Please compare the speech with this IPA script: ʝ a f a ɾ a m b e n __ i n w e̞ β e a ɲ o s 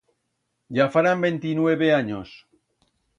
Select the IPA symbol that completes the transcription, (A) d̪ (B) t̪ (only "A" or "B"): B